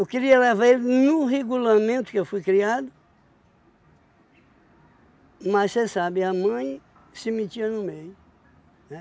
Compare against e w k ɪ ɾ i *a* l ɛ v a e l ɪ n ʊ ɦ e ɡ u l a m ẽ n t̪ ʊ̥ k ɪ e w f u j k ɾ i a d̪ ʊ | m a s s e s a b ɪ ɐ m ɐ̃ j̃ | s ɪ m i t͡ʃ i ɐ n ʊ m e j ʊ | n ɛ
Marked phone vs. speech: incorrect: ɐ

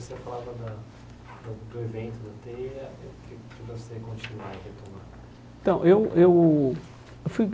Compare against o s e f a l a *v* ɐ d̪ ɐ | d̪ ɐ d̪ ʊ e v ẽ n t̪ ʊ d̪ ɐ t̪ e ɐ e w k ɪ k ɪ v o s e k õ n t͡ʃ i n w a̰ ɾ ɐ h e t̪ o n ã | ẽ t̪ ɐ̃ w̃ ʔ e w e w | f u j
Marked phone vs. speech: correct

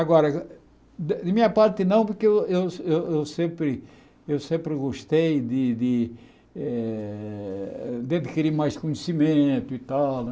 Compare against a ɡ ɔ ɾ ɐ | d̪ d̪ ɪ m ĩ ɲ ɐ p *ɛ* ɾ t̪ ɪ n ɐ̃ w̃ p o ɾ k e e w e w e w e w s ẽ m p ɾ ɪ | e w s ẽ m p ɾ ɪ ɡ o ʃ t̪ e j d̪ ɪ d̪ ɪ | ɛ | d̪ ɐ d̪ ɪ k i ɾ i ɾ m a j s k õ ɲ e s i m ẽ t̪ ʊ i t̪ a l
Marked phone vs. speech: incorrect: a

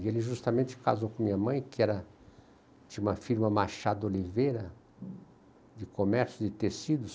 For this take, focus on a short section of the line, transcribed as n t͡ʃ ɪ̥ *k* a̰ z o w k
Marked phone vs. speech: correct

